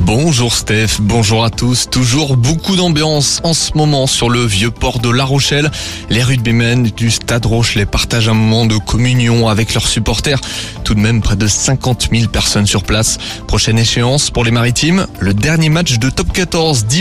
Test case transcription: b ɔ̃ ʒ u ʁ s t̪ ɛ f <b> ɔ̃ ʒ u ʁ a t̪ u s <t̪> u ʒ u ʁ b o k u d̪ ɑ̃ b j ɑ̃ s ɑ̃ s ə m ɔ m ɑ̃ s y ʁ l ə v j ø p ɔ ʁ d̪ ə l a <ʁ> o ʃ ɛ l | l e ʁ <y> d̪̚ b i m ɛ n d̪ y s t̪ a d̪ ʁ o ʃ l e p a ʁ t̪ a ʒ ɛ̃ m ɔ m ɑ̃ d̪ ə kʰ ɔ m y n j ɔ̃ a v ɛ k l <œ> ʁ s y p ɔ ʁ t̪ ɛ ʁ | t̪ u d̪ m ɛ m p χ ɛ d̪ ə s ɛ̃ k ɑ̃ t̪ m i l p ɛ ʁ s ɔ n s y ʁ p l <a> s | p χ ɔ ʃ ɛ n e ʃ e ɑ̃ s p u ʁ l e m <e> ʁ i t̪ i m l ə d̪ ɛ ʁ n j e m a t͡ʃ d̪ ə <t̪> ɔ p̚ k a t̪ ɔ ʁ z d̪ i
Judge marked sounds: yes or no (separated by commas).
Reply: yes, yes, yes, yes, yes, yes, no, yes